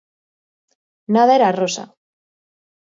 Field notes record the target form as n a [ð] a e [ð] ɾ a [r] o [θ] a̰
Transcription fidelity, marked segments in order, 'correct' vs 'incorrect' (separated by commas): correct, incorrect, correct, incorrect